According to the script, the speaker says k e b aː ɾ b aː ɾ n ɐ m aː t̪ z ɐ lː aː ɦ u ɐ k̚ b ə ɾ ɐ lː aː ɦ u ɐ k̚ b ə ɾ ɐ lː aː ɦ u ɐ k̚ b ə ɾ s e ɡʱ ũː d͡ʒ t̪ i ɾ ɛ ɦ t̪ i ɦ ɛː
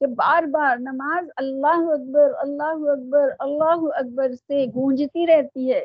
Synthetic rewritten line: k e b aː ɾ b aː ɾ n ɐ m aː z ɐ lː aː ɦ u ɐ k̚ b ə ɾ ɐ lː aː ɦ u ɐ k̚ b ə ɾ ɐ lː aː ɦ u ɐ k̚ b ə ɾ s e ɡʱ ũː d͡ʒ t̪ i ɾ ɛ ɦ t̪ i ɦ ɛː